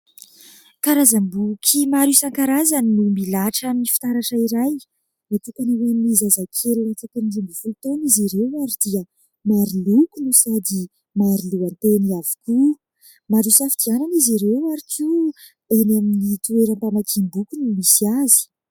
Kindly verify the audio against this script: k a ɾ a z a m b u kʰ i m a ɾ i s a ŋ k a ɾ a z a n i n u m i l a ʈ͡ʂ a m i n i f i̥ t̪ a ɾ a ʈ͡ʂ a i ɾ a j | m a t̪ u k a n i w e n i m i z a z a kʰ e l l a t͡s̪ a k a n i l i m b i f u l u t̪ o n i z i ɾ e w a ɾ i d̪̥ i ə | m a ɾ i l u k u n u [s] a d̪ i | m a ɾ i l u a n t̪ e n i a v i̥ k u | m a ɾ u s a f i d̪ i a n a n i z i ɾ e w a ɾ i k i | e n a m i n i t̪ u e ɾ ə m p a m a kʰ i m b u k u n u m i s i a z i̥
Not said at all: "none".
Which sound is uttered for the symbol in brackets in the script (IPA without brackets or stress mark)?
s